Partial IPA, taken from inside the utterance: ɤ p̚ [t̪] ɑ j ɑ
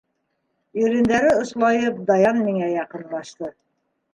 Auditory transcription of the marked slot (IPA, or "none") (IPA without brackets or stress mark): d̪